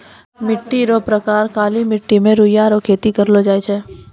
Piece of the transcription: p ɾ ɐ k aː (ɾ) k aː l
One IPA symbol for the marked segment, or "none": ɾ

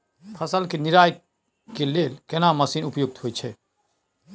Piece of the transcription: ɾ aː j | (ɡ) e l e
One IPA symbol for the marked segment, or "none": k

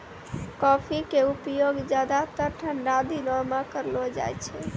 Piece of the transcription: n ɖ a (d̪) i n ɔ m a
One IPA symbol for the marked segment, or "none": d̪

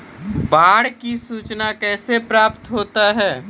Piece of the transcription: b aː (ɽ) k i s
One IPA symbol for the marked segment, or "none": ɽ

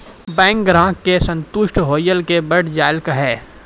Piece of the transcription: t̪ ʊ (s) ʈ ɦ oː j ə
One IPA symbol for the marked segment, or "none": ʃ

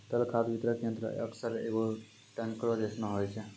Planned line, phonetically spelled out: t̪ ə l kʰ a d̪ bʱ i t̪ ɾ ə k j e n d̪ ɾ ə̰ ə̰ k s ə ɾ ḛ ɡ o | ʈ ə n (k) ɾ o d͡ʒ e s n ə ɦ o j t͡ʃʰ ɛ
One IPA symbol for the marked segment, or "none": k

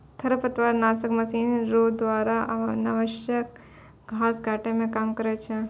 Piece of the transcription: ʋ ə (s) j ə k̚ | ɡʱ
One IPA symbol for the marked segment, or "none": ʃ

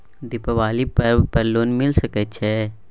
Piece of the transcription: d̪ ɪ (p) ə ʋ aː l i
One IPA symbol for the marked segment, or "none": p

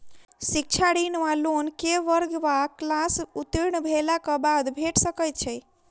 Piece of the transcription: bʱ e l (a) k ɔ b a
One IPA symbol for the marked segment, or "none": a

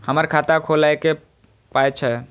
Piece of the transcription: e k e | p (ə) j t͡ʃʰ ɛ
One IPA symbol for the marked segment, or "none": a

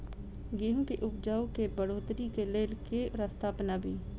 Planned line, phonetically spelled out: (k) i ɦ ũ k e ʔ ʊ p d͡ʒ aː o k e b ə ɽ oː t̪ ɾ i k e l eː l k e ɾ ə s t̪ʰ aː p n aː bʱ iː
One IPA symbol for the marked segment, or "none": ɡ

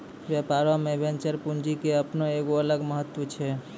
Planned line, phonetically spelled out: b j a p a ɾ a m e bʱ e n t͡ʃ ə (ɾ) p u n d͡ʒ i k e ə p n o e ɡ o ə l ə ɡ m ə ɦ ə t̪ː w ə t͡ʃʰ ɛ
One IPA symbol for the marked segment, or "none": ɾ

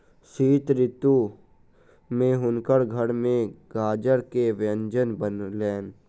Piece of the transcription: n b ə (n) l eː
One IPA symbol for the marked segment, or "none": n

